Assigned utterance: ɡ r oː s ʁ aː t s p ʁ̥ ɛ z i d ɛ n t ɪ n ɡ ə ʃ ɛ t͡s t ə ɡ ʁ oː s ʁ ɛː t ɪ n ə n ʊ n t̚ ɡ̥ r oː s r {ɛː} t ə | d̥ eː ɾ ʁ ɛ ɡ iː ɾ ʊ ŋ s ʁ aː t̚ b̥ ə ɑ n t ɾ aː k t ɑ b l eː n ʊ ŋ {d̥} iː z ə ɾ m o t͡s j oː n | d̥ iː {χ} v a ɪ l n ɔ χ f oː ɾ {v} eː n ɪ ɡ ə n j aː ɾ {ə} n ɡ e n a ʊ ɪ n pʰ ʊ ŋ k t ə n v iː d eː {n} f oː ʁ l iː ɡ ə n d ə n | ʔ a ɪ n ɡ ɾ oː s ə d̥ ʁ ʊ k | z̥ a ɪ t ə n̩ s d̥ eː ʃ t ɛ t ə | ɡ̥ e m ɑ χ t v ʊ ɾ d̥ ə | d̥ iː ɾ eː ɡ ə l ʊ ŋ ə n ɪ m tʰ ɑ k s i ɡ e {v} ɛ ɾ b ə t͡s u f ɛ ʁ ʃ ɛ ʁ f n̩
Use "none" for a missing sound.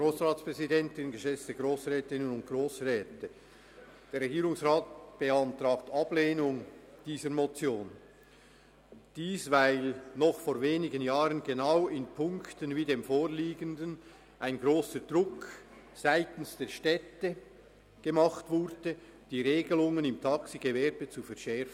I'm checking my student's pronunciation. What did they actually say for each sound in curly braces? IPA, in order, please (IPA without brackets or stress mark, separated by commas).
ɛː, d̥, s, v, ə, m, v